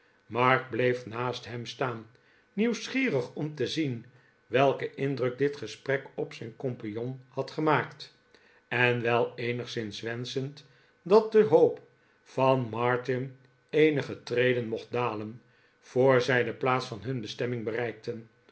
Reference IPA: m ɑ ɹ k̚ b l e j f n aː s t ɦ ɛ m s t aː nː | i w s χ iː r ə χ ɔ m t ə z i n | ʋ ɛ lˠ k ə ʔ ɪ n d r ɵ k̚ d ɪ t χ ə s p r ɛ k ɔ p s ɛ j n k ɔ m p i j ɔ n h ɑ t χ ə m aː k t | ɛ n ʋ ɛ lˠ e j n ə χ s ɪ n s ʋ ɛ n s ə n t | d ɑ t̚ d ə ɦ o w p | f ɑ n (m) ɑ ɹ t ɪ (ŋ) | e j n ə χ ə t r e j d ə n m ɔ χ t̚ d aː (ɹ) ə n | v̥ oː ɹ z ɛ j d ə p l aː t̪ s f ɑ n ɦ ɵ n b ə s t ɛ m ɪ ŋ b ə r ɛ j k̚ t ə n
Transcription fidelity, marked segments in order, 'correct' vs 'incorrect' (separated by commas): correct, incorrect, incorrect